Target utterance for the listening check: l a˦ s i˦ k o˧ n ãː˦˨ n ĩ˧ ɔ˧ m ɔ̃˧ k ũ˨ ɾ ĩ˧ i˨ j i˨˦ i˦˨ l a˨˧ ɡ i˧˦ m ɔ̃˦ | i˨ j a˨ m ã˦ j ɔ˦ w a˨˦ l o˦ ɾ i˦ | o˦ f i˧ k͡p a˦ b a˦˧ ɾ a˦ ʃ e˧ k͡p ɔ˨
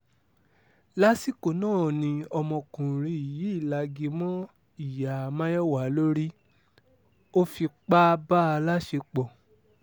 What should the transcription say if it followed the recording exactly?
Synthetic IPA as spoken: l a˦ s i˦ k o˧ n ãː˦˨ n ĩ˧ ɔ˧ m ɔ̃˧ k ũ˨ ɾ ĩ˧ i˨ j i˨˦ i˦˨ l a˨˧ ɡ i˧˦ m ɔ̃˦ | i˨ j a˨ m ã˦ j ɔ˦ w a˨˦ l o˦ ɾ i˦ | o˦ f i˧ k͡p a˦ b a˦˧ l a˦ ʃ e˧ k͡p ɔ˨